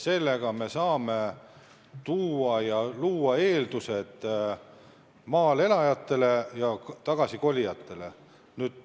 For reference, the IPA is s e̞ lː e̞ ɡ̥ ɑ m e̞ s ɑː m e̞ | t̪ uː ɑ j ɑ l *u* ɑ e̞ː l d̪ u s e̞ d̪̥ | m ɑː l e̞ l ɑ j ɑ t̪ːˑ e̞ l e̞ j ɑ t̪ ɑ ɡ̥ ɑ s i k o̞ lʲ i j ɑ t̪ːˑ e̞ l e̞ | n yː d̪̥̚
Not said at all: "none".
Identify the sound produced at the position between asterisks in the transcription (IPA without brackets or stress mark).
uː